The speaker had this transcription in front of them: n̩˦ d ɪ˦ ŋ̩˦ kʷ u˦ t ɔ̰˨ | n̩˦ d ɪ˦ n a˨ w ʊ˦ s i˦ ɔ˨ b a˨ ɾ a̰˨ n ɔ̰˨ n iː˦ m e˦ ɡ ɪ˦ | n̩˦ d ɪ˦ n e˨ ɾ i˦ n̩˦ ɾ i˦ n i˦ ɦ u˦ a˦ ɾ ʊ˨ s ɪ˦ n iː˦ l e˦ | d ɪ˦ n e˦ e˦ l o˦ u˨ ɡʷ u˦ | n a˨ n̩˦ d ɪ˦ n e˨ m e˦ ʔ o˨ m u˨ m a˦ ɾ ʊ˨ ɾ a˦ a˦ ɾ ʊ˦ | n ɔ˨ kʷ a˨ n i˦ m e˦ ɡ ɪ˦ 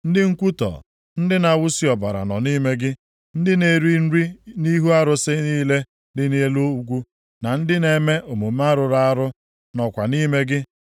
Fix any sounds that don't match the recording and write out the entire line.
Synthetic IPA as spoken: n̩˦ d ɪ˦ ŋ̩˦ kʷ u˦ t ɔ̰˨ | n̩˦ d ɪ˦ n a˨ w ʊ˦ s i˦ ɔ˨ b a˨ ɾ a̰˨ n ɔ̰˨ n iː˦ m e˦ ɡ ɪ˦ | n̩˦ d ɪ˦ n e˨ ɾ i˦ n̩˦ ɾ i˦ n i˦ ɦ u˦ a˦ ɾ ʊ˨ s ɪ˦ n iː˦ l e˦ | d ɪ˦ n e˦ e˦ l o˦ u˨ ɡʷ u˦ | n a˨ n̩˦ d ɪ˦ n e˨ m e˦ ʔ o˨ m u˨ m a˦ ɾ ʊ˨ ɾ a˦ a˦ ɾ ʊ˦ | n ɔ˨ kʷ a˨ n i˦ m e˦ ɡ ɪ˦